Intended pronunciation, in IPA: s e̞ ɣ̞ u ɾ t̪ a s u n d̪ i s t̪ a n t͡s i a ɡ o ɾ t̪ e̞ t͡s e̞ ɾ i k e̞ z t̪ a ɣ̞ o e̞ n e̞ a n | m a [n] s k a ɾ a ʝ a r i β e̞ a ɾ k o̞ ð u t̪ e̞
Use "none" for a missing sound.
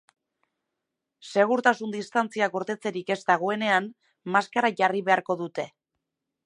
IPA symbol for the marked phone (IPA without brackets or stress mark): none